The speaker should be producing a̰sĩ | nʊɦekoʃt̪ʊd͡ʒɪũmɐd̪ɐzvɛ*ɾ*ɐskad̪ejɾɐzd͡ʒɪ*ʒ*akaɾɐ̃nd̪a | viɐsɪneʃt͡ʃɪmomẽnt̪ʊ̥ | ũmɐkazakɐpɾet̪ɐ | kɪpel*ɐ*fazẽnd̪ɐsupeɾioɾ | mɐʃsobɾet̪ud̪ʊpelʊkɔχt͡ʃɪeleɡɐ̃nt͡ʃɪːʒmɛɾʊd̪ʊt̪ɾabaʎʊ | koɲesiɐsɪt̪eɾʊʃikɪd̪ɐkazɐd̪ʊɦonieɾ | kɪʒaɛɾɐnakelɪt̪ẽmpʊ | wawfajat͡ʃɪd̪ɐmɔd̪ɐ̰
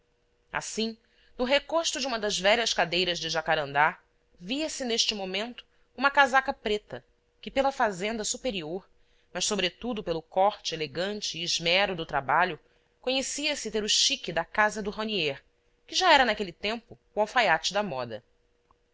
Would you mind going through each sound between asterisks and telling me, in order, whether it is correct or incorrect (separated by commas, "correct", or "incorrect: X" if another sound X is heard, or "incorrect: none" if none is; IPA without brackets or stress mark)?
incorrect: ʎ, correct, correct